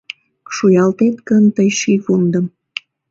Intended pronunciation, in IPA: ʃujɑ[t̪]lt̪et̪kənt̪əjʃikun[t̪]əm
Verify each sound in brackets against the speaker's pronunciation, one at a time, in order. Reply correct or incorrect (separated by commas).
incorrect, incorrect